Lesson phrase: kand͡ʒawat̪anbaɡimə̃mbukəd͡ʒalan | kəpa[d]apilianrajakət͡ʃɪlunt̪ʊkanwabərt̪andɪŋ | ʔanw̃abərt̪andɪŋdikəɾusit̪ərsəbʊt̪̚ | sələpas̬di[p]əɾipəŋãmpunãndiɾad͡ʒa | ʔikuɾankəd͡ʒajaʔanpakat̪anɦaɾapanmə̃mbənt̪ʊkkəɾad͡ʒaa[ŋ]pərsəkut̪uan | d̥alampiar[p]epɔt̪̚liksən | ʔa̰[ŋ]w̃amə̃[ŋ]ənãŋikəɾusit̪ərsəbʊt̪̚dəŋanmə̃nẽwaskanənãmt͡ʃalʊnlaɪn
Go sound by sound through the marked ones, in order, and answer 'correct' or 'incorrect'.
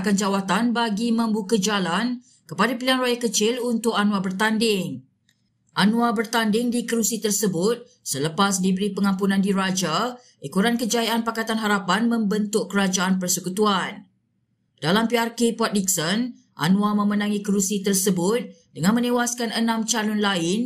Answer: correct, incorrect: b, incorrect: n, incorrect: k, incorrect: n, incorrect: m

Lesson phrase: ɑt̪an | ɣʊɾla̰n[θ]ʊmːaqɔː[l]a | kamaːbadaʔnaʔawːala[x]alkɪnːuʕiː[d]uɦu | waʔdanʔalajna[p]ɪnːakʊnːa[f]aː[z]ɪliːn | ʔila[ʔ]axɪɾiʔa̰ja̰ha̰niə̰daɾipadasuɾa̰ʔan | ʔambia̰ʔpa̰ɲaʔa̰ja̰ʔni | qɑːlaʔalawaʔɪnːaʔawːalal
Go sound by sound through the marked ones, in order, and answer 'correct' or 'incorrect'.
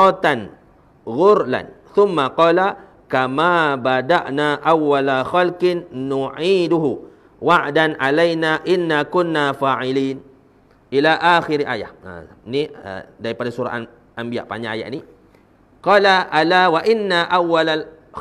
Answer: correct, correct, correct, correct, incorrect: ʔ, correct, incorrect: ʕ, correct

